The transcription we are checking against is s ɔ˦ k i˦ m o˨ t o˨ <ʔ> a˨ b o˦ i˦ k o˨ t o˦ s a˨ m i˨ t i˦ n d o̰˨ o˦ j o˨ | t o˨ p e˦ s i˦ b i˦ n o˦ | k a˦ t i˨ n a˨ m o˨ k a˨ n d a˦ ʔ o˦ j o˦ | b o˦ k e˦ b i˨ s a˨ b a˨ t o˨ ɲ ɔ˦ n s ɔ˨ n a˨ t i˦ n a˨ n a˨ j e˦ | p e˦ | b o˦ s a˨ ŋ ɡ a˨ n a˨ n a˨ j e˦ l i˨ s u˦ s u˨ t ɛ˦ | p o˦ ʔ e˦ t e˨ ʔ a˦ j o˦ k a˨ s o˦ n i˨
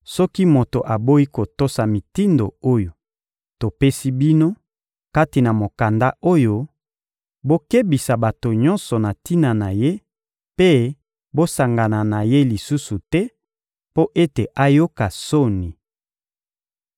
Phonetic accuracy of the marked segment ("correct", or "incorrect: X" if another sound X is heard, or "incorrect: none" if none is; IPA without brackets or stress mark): correct